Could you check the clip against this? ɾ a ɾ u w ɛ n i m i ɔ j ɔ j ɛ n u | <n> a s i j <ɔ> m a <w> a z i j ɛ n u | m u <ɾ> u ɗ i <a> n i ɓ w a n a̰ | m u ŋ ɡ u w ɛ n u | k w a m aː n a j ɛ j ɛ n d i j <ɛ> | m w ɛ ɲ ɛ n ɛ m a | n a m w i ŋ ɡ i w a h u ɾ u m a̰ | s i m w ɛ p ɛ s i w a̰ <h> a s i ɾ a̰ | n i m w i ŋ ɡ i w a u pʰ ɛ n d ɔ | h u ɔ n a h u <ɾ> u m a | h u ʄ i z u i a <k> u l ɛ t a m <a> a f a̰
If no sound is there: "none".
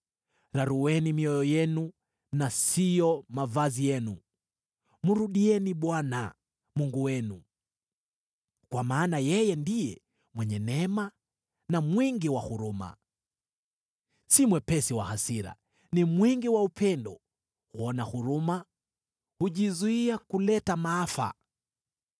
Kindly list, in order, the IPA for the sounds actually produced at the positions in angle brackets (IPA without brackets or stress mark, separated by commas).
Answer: n, ɔ, v, ɾ, ɛ, ɛ, h, ɾ, k, a